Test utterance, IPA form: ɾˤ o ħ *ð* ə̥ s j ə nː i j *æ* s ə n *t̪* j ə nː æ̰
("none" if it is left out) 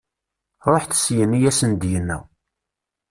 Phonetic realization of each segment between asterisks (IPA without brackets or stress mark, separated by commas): θ, æ, d̪